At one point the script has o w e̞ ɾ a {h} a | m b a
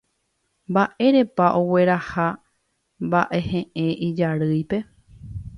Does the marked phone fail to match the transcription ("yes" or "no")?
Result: no